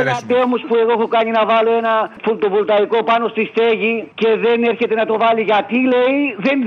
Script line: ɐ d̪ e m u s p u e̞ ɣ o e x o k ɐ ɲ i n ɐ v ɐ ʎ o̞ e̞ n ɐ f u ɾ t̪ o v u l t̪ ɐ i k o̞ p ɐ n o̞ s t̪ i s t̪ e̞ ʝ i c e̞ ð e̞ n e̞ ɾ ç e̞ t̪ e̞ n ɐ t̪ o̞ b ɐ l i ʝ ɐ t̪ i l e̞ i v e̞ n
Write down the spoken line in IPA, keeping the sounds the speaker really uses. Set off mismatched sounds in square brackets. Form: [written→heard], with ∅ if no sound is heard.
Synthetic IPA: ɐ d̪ e m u s p u e̞ ɣ o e x o k ɐ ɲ i n ɐ v ɐ [ʎ→l] o̞ e̞ n ɐ f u [ɾ→l] t̪ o v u l t̪ ɐ i k o̞ p ɐ n o̞ s t̪ i s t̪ e̞ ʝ i c e̞ ð e̞ n e̞ ɾ ç e̞ t̪ e̞ n ɐ t̪ o̞ [b→v] ɐ l i ʝ ɐ t̪ i l e̞ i [v→ð] e̞ n